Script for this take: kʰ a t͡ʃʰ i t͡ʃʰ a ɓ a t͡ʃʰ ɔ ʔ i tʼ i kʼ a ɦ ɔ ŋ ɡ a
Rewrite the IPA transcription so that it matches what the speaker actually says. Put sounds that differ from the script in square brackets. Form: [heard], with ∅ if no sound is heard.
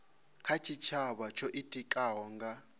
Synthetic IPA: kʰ a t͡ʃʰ i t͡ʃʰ a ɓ a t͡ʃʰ ɔ ʔ i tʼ i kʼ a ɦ ɔ ŋ ɡ a